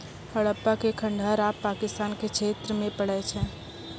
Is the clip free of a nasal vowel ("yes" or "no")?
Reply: no